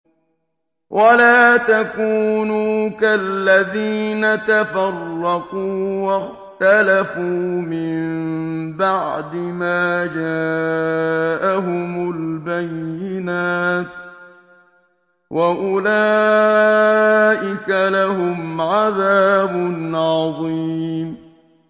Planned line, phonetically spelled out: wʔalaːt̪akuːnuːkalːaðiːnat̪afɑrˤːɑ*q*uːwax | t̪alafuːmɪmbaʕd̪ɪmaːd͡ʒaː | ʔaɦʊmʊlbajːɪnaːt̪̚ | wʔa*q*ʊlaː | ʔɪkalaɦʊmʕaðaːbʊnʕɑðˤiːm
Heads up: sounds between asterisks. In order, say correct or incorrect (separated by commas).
correct, incorrect